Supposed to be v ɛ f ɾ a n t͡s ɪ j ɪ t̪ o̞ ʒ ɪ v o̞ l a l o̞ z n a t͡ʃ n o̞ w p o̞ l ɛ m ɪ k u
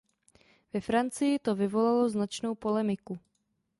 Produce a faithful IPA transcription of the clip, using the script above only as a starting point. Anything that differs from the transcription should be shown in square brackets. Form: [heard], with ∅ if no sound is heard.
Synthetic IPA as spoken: v ɛ f ɾ a n t͡s ɪ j ɪ t̪ o̞ [v] ɪ v o̞ l a l o̞ z n a t͡ʃ n o̞ w p o̞ l ɛ m ɪ k u